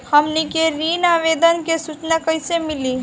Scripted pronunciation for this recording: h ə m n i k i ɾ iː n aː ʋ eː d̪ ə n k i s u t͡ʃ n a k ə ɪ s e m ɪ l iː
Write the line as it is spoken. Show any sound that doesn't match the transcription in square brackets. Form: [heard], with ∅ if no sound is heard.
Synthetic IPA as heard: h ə m n i k [e] ɾ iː n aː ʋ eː d̪ ə n k [e] s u t͡ʃ n a k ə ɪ s e m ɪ l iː